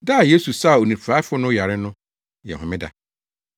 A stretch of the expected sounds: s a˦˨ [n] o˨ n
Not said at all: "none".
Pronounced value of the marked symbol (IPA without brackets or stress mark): none